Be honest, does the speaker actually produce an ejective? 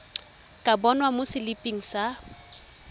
yes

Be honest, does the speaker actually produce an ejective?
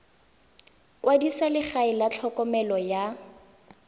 no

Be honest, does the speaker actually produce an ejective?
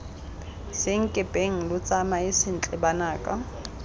yes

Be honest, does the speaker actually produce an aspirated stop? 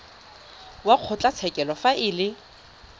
yes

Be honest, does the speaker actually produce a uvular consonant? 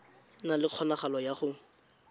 yes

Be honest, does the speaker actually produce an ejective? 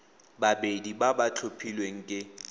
yes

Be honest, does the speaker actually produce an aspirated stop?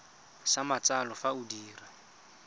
no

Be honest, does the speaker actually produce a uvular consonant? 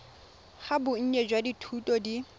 yes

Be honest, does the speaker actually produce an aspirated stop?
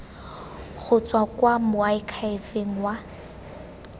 yes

